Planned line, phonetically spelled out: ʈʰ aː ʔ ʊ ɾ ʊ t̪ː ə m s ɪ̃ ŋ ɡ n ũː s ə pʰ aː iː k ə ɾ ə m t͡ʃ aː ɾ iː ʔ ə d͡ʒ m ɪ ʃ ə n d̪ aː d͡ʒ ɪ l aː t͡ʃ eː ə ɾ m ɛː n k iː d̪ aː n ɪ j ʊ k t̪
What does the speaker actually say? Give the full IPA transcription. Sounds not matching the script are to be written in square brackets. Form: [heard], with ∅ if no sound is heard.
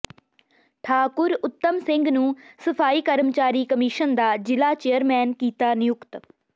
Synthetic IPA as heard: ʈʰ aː [k] ʊ ɾ ʊ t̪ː ə m s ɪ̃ ŋ ɡ n ũː s ə pʰ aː iː k ə ɾ ə m t͡ʃ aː ɾ iː [k] ə [∅] m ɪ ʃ ə n d̪ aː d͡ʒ ɪ l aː t͡ʃ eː ə ɾ m ɛː n k iː [t̪] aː n ɪ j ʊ k t̪